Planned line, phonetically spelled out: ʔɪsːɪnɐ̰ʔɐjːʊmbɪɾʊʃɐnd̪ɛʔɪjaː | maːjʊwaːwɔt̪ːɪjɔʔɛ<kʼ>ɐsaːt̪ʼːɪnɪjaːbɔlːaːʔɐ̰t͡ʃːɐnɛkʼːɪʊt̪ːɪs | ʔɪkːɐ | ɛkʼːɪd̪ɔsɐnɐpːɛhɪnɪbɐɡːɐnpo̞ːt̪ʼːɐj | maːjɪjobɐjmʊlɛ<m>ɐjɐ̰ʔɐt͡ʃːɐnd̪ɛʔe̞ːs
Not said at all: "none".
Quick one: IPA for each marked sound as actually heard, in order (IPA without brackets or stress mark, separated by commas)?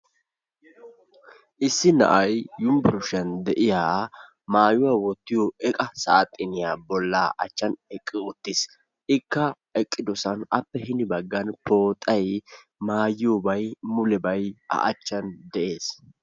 kʼ, b